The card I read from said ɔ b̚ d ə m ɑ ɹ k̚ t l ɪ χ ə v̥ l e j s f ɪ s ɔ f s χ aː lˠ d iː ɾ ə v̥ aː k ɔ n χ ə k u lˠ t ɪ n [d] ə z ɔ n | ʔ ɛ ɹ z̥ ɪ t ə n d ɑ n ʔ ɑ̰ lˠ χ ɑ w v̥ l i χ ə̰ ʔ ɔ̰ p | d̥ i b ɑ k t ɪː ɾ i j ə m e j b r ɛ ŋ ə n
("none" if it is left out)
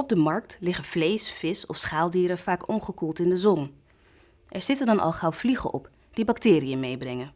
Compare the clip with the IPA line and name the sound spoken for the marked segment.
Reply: d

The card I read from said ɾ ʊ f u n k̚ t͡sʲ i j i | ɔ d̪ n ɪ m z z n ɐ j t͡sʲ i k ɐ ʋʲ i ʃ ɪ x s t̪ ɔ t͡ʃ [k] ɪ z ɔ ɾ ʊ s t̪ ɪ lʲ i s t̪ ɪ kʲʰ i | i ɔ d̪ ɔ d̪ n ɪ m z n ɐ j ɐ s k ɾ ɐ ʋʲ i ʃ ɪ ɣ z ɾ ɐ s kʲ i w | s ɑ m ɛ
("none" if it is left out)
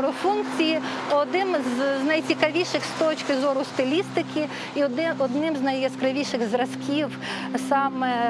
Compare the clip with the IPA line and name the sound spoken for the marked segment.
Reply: k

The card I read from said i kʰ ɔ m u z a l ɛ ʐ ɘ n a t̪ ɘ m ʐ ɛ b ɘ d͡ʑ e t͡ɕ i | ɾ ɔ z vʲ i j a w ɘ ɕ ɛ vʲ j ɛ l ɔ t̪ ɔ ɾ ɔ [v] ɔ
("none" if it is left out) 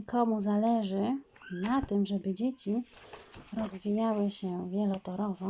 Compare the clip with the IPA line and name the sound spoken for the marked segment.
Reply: v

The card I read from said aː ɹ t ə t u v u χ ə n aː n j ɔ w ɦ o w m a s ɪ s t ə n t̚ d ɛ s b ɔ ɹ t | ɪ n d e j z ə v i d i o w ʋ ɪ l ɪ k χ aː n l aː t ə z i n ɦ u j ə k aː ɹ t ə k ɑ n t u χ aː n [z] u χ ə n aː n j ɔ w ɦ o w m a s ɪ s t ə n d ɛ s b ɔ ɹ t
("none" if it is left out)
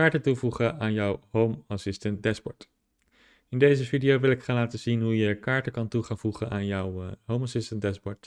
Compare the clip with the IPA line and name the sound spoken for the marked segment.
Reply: v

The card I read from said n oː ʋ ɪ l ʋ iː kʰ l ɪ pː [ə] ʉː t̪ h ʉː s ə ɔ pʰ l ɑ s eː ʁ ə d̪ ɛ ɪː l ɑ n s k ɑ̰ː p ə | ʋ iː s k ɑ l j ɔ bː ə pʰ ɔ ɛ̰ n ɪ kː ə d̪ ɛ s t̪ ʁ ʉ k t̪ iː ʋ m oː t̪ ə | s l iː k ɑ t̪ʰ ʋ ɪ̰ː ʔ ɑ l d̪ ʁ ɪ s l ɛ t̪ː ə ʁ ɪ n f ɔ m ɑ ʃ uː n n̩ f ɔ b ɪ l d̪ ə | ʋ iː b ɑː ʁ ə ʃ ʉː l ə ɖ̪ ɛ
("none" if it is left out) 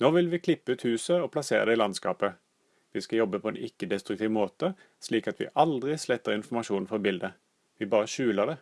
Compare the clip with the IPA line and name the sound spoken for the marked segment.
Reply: ə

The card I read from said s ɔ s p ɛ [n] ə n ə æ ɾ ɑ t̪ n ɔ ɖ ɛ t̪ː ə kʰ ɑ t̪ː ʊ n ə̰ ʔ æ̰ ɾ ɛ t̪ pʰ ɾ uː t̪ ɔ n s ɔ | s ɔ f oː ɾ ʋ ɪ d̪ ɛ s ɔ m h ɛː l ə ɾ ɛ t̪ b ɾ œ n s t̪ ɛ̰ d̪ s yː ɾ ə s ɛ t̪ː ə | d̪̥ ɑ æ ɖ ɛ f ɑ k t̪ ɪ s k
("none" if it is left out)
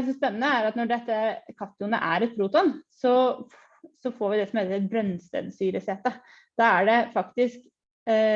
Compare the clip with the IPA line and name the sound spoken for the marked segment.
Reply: nː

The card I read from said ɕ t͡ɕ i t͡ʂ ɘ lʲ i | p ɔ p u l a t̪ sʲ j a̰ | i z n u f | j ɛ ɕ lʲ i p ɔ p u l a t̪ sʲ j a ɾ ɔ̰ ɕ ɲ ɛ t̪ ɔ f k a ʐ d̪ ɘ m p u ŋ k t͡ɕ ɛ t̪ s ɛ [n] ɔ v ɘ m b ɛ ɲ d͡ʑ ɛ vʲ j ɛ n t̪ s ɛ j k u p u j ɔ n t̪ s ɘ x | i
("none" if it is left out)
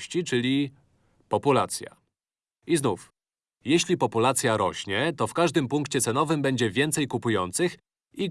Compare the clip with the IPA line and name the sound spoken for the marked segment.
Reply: n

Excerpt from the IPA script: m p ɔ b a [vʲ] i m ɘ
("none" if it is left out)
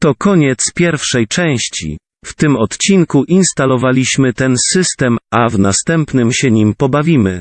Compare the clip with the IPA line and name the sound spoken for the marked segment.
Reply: vʲ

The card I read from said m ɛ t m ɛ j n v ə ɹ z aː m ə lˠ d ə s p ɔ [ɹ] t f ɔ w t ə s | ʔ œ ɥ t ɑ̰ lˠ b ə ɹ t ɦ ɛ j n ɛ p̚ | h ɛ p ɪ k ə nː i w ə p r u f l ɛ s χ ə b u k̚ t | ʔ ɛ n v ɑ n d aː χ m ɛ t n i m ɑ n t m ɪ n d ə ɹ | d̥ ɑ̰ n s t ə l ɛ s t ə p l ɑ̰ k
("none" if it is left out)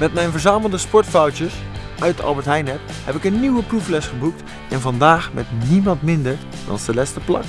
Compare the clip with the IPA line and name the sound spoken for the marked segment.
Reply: ɹ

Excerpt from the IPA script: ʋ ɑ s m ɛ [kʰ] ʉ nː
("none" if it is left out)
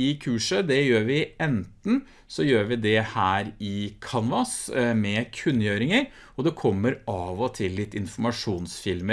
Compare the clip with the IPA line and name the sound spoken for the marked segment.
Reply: kʰ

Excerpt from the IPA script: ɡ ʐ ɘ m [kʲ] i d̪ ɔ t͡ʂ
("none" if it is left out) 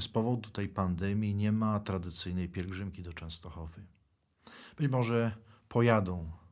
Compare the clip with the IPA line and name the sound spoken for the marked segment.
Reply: kʲ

